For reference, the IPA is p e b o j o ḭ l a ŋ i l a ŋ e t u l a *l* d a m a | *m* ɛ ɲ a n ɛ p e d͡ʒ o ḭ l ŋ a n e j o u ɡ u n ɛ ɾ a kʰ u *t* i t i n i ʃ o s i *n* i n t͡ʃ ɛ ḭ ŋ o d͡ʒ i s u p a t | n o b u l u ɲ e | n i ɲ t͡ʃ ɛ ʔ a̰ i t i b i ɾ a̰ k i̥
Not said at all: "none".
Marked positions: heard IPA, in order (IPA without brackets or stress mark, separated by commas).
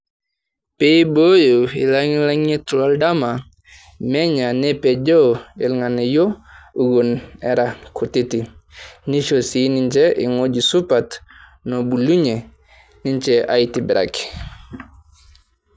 l, m, t, n